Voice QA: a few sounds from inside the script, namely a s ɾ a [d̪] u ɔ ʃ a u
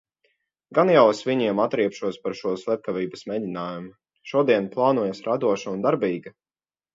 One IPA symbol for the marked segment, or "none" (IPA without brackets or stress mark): d̪